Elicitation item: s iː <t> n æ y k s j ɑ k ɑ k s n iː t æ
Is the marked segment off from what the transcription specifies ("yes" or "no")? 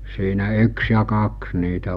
yes